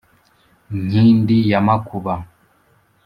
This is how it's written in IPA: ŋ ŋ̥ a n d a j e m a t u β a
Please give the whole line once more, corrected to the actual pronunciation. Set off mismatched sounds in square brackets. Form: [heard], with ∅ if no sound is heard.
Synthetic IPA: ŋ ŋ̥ [i] n d [i] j [a] m a [k] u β a